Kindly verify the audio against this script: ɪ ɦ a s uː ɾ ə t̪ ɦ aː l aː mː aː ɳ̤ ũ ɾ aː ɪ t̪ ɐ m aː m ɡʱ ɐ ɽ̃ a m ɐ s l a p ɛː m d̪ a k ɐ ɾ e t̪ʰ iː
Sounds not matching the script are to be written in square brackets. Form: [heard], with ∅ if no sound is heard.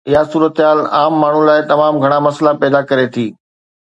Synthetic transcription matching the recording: ɪ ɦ a s uː ɾ ə t̪ ɦ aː l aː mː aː ɳ̤ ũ [l] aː ɪ t̪ ɐ m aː m ɡʱ ɐ ɽ̃ a m ɐ s l a p ɛː [∅] d̪ a k ɐ ɾ e t̪ʰ iː